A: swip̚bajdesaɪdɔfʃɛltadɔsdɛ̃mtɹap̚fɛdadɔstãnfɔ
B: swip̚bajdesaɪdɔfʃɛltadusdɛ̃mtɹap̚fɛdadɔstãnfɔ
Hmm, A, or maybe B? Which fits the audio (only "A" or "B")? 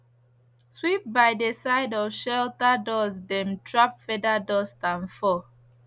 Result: A